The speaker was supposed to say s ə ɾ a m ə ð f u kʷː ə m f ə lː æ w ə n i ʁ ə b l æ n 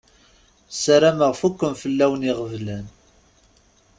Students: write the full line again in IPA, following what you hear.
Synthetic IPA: s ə ɾ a m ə ʁ f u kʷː ə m f ə lː æ w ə n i ʁ ə v l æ n

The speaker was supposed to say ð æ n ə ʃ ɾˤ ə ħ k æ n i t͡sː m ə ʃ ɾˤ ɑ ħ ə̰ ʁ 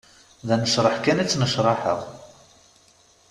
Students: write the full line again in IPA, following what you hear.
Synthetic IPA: ð æ n ə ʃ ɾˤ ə ħ k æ n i t͡sː n ə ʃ ɾˤ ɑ ħ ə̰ ʁ

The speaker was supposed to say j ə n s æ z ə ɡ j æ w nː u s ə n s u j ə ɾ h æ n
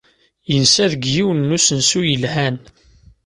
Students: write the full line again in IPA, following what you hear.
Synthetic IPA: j ə n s æ ð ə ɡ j i w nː u s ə n s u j ə l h æ n

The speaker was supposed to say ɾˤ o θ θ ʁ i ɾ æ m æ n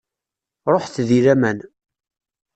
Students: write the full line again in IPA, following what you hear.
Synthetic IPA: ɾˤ o ħ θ ð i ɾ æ m æ n

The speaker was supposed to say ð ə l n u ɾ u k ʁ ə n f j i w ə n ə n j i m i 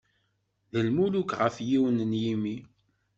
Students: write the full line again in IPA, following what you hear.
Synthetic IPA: ð ə l m u l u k ʁ ə f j i w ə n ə n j i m i

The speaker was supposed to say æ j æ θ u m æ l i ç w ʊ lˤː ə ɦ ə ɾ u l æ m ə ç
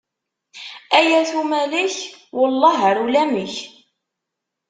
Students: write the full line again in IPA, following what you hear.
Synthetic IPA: æ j æ θ u m æ l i ç w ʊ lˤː ɑ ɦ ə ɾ u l æ m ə ç

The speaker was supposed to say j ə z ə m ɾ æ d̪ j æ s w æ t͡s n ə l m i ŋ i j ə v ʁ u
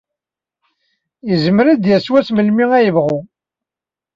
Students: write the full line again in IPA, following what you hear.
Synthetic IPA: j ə z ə m ɾ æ d̪ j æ s w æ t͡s m ə l m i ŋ æ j ə v ʁ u

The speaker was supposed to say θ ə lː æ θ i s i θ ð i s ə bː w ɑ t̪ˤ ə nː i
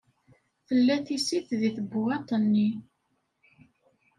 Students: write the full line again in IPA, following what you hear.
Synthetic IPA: θ ə lː æ θ i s i θ ð i θ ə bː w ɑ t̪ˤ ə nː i

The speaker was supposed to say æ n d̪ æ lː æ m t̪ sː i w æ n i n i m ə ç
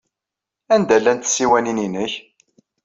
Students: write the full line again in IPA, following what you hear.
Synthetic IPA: æ n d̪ æ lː æ n t̪ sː i w æ n i n i n ə ç

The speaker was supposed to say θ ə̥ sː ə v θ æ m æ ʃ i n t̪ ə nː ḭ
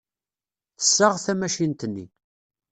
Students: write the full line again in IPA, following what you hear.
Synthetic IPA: θ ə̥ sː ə ʁ θ æ m æ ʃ i n t̪ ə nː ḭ

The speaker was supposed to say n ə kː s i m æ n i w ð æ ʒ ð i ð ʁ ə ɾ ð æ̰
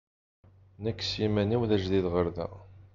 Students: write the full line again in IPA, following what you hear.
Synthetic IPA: n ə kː s i m æ n i w ð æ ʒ ð i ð ʁ ə ɾ ð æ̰

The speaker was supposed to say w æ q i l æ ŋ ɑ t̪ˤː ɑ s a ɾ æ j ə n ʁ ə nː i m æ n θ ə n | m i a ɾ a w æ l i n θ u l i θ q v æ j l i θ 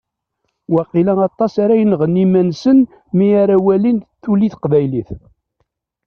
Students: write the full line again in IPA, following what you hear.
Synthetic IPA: w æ q i l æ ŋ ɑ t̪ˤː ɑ s a ɾ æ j ə n ʁ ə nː i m æ n s ə n | m i a ɾ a w æ l i n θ u l i θ q v æ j l i θ

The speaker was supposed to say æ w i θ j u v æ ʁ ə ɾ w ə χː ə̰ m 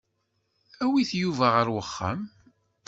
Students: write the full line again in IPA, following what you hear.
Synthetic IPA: æ w i θ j u v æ ʁ ə ɾ w ə χː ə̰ m

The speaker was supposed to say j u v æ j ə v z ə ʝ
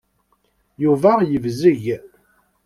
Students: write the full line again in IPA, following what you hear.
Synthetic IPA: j u v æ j ə v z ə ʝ

